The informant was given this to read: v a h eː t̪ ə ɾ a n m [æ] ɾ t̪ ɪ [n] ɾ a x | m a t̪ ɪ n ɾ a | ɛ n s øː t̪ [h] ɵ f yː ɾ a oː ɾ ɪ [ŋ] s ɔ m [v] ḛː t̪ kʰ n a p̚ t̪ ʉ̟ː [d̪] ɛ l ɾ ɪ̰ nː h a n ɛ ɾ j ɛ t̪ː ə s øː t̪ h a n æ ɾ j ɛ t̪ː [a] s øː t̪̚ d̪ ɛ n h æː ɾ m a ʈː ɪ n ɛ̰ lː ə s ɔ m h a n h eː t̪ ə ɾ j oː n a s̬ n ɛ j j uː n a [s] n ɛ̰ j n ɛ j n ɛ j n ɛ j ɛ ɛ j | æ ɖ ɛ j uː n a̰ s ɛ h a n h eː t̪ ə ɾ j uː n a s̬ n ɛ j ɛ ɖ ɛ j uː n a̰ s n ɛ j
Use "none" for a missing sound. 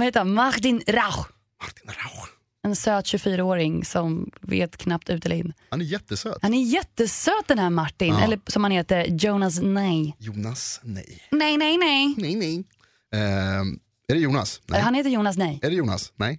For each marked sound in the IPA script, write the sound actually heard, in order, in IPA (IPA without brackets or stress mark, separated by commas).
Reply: a, n, ɕ, ŋ, v, t̪, ə, s